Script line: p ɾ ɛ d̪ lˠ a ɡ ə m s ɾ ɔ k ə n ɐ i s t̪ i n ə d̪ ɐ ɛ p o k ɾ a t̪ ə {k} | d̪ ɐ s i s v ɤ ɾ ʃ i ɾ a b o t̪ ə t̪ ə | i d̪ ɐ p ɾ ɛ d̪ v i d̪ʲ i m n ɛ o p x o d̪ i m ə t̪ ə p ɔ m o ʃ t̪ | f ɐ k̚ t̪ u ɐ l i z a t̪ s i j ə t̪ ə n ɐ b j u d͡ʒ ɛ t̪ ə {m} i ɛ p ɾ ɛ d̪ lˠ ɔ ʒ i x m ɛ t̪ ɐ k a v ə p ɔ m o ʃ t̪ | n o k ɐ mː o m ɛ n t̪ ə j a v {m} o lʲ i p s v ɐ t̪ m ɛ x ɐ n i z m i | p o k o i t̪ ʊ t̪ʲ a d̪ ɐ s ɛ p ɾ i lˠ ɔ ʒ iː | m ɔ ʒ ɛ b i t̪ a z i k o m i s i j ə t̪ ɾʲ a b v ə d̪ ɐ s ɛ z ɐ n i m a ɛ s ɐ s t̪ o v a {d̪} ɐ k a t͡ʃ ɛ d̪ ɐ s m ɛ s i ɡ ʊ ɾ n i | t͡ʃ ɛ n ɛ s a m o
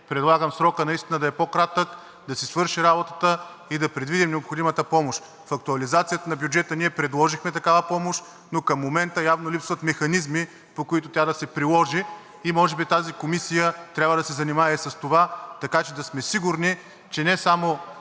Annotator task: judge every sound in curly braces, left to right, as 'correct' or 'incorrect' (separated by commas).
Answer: correct, incorrect, incorrect, incorrect